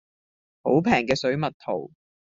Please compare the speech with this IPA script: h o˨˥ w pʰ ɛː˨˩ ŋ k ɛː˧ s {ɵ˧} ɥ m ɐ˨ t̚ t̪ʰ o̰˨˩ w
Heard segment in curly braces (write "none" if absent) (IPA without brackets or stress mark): ɵ˨˥